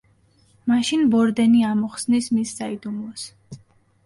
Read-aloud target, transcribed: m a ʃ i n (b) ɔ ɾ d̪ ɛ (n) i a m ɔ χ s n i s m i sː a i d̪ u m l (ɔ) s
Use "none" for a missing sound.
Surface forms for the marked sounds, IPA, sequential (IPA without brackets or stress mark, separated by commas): b, n, ɔ